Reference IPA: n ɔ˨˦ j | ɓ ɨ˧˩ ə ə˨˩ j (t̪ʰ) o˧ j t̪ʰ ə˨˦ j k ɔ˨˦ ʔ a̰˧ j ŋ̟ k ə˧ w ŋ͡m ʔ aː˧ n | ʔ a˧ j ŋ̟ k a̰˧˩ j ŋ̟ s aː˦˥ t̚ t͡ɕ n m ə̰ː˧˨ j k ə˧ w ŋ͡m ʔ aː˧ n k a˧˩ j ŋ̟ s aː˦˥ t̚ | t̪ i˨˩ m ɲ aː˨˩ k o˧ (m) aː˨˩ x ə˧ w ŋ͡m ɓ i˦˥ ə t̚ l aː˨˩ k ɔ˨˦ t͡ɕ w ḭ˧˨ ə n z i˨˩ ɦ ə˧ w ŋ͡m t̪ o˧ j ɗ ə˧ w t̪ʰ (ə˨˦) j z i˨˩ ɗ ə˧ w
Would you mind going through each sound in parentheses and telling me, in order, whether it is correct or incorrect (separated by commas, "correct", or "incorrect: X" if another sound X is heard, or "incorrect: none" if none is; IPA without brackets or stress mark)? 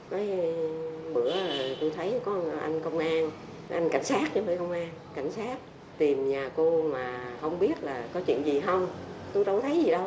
incorrect: t̪, correct, correct